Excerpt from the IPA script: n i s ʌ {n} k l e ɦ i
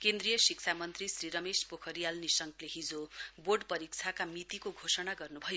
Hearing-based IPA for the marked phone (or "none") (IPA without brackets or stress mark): ŋ